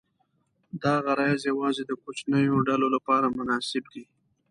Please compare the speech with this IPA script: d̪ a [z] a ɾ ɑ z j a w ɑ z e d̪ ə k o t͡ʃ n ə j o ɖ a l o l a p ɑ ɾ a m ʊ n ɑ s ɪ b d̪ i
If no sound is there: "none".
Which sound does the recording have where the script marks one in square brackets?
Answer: ɣ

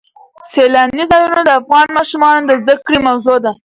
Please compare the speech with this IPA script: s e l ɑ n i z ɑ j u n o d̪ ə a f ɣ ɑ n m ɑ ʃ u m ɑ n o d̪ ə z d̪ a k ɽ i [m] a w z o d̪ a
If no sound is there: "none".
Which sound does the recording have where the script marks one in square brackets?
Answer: m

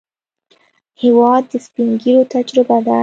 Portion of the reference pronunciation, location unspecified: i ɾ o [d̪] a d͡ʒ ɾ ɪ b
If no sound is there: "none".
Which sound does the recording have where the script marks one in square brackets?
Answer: t̪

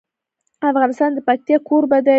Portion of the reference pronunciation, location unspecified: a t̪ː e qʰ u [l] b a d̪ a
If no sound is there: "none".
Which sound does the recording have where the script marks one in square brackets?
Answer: ɾ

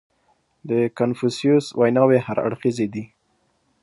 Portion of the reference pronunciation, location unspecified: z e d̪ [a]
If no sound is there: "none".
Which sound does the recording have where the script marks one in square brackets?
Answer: i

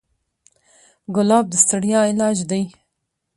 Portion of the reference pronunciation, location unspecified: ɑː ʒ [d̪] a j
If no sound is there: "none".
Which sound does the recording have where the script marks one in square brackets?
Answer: d̪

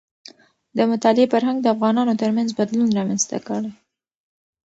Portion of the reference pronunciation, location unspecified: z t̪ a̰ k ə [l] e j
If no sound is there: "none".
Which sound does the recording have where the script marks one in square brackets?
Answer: ɽ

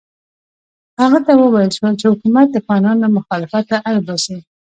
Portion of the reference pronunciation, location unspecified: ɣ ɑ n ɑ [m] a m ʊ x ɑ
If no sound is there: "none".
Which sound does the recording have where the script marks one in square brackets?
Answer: n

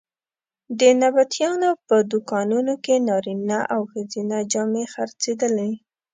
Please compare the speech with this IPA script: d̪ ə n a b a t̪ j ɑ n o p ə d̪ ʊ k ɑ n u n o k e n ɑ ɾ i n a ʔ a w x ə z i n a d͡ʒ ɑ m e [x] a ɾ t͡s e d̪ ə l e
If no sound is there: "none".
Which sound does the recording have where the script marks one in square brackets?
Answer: x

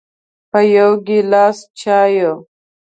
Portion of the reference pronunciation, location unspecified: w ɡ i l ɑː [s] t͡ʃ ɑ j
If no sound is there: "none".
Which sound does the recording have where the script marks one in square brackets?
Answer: s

